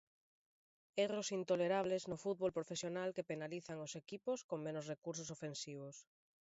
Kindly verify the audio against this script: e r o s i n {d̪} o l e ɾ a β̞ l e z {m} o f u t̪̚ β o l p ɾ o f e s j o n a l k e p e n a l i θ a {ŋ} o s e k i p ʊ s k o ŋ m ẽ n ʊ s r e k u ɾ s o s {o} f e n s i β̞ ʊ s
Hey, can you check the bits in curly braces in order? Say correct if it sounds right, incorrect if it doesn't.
incorrect, incorrect, correct, correct

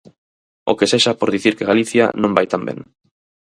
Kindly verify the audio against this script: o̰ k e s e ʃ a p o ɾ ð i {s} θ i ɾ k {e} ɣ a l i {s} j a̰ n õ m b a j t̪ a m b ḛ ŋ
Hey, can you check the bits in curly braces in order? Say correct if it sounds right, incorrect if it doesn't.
incorrect, correct, incorrect

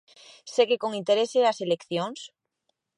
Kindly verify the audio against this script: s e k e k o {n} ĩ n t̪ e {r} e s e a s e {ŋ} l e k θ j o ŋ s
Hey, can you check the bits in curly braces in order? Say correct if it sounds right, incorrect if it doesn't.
incorrect, incorrect, incorrect

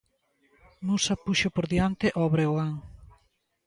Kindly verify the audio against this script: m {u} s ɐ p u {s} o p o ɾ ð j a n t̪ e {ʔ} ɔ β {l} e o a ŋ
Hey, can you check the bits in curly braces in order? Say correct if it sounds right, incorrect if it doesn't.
correct, incorrect, correct, incorrect

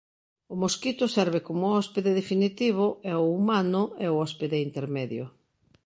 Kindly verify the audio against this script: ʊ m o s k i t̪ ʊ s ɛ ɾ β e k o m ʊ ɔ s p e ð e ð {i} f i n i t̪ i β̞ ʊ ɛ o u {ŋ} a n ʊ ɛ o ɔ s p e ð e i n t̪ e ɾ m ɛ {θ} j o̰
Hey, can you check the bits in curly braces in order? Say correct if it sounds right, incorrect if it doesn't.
incorrect, incorrect, incorrect

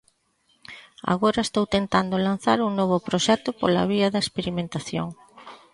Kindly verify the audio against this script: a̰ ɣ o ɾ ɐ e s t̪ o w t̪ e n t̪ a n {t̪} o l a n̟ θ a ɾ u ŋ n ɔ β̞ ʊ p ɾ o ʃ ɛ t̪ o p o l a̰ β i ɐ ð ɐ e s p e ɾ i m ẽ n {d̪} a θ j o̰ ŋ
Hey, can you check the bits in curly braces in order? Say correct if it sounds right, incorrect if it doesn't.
incorrect, incorrect

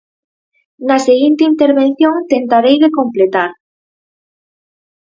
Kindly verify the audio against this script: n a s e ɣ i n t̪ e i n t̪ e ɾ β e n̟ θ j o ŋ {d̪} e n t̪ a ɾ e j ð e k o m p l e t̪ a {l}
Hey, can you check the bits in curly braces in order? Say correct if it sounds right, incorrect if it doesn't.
incorrect, incorrect

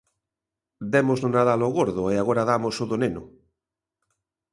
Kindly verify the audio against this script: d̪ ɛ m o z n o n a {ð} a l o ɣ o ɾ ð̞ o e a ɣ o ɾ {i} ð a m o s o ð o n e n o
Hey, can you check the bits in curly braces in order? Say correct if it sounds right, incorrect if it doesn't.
correct, incorrect

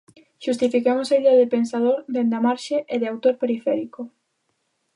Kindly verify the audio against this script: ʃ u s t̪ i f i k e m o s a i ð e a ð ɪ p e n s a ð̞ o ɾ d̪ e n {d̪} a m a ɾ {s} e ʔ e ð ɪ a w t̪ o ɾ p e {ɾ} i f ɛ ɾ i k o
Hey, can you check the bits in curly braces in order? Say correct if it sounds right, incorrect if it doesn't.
correct, incorrect, correct

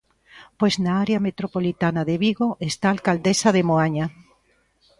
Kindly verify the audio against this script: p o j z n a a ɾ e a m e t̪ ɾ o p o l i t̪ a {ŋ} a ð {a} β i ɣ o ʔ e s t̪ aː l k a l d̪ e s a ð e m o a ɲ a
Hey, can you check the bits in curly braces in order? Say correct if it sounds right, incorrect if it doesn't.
incorrect, incorrect

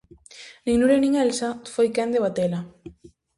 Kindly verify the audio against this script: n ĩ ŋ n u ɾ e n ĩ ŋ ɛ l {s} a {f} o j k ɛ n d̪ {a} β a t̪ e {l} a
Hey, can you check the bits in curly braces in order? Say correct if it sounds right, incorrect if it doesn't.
correct, correct, incorrect, correct

